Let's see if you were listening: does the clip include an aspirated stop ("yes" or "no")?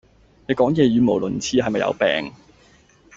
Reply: yes